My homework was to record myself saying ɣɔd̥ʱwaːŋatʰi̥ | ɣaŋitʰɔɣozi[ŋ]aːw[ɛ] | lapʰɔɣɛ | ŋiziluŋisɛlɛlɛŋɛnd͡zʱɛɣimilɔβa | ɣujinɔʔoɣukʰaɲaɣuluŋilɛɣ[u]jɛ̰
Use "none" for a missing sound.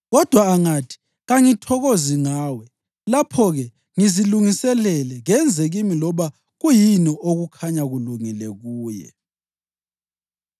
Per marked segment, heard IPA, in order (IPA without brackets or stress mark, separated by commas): ŋ, ɛ, uː